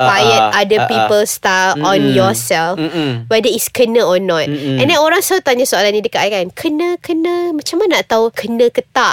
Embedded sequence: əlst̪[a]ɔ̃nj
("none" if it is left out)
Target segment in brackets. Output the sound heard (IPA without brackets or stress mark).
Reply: a